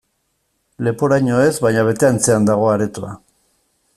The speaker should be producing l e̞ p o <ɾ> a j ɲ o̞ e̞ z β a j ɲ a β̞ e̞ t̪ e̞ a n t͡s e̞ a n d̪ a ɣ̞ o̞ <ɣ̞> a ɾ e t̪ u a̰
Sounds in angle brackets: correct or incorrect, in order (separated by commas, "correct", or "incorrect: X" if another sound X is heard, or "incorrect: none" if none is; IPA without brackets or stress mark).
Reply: correct, incorrect: none